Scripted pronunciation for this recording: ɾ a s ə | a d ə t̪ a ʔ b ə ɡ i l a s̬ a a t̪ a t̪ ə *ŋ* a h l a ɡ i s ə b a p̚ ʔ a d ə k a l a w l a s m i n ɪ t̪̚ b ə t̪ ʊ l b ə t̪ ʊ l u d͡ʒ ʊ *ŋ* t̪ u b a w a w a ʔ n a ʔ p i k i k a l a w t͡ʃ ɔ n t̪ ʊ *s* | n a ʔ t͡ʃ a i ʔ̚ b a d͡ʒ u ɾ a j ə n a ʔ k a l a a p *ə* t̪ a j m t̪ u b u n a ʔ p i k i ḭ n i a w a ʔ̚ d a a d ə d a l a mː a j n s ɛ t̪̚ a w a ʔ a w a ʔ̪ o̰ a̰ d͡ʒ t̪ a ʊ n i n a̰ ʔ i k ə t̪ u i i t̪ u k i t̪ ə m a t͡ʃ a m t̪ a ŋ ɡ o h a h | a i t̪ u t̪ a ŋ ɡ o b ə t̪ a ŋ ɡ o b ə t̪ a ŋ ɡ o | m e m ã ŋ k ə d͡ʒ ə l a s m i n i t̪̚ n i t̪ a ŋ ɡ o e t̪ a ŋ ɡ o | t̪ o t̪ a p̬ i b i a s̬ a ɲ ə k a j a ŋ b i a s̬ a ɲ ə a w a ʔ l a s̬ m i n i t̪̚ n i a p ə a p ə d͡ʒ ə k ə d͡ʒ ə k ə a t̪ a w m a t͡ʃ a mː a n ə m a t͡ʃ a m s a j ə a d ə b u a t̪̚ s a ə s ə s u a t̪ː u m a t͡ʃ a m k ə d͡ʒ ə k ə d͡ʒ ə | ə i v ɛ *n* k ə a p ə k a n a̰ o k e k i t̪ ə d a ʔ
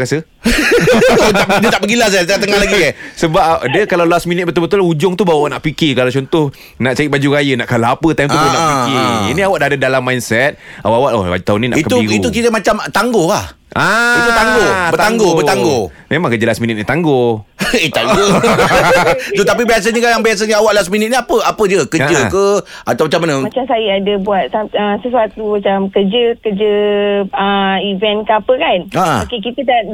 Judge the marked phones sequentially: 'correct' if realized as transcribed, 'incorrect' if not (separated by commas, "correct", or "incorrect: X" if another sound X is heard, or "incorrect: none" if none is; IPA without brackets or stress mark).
correct, correct, incorrect: h, correct, correct